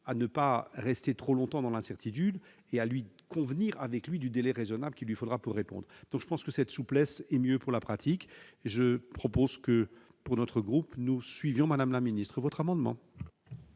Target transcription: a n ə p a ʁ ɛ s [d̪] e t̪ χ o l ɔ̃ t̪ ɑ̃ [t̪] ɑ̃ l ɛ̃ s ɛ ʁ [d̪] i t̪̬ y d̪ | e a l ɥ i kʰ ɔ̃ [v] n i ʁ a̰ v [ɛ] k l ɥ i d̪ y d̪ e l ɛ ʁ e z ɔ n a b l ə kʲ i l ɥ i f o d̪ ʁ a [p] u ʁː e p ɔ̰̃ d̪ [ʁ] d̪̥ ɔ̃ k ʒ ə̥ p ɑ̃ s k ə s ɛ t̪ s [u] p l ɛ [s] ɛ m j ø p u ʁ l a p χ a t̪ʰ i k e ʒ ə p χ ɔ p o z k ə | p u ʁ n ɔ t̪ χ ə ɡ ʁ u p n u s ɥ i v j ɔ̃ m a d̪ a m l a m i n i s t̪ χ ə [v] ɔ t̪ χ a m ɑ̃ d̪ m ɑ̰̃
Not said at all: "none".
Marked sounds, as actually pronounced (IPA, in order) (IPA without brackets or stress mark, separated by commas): t̪, d̪, t̪, v, ɛ, p, ʁ, u, s, v